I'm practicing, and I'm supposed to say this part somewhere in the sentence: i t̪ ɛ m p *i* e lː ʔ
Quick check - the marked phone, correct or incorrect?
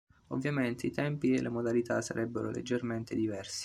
correct